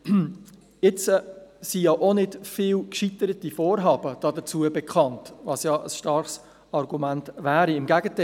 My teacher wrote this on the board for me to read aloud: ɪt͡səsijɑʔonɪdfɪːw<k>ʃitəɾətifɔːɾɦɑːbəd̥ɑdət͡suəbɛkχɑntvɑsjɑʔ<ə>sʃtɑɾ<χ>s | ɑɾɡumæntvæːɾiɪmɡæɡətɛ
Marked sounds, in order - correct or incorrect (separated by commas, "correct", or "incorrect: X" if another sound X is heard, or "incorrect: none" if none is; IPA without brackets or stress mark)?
correct, correct, correct